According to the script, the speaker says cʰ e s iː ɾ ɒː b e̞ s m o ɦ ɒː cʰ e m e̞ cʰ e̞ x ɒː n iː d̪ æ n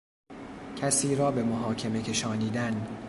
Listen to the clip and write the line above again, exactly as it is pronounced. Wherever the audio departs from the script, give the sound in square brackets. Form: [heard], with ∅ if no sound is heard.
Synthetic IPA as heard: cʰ [æ] s iː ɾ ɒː b e̞ [∅] m o ɦ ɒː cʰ e m e̞ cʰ e̞ [ʃ] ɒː n iː d̪ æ n